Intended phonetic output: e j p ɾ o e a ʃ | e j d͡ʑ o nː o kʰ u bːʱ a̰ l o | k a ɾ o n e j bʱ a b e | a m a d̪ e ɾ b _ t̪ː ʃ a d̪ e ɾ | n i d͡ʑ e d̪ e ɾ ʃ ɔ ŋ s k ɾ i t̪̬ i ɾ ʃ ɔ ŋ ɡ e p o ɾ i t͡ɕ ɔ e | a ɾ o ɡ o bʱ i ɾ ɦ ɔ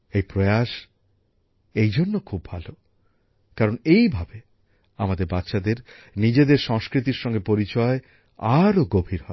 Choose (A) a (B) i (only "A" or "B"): A